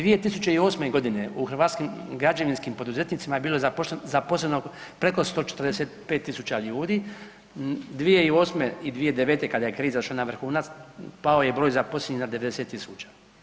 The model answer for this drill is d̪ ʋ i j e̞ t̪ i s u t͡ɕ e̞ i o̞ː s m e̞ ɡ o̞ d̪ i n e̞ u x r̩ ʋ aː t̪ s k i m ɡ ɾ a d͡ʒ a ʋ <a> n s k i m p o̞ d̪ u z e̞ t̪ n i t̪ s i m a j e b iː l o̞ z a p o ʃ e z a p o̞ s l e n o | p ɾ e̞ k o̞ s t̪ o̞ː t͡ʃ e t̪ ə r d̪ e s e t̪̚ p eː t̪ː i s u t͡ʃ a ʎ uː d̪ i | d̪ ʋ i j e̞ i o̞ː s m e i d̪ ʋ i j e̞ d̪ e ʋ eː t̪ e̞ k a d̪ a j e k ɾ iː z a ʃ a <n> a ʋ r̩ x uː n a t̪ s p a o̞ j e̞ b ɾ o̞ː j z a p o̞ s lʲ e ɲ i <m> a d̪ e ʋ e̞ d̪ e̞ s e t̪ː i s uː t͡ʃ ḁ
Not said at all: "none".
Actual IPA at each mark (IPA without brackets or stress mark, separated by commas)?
i, n, n